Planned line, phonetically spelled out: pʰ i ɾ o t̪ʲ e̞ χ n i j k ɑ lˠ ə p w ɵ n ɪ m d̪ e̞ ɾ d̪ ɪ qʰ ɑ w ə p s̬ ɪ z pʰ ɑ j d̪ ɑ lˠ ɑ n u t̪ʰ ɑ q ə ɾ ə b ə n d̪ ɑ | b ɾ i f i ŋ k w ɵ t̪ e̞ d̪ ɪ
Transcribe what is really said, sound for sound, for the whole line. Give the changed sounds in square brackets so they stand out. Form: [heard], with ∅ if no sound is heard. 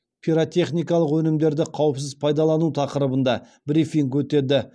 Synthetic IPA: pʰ i ɾ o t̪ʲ e̞ χ n i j k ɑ lˠ ə [q] w ɵ n ɪ m d̪ e̞ ɾ d̪ ɪ qʰ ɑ w ə p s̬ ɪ z pʰ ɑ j d̪ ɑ lˠ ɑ n u t̪ʰ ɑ q ə ɾ ə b ə n d̪ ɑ | b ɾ i f i ŋ k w ɵ t̪ e̞ d̪ ɪ